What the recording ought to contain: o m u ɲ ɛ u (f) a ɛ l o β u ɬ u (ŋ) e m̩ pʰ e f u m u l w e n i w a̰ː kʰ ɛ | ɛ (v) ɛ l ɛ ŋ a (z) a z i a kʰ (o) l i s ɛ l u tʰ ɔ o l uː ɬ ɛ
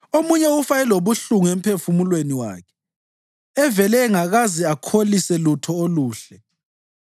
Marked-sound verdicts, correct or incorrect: correct, correct, correct, incorrect, correct

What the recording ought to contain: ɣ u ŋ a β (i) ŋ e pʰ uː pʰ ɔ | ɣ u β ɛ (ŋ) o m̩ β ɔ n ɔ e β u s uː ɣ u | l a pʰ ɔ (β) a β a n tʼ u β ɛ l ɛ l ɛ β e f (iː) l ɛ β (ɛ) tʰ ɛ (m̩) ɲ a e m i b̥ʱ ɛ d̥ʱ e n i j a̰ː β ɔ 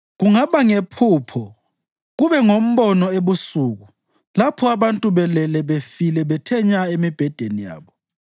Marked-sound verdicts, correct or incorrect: incorrect, correct, incorrect, incorrect, correct, incorrect

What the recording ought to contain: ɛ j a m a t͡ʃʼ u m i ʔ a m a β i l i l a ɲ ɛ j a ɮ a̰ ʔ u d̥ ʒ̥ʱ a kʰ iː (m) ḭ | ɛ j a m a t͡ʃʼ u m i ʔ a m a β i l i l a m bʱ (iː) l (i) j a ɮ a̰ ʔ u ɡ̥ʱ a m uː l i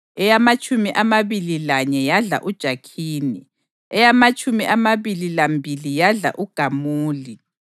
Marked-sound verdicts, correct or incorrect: incorrect, incorrect, correct

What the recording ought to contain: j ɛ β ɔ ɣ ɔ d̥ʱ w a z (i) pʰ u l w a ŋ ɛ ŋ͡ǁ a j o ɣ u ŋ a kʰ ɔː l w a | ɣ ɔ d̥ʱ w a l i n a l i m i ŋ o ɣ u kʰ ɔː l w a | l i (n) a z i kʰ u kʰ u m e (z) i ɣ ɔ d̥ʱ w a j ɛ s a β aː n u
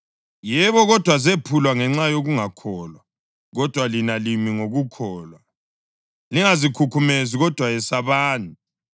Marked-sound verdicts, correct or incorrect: incorrect, incorrect, correct

